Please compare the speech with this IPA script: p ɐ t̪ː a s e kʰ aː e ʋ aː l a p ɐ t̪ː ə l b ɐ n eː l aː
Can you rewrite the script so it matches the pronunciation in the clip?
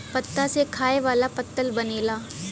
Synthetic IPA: p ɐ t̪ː a s e kʰ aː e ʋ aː l a p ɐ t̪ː ə l b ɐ n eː l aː